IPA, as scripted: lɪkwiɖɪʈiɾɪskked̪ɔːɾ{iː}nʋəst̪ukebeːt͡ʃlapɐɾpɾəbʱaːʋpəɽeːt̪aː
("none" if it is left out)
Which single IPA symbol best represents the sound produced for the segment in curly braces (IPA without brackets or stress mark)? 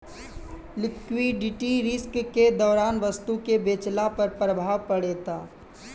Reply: aː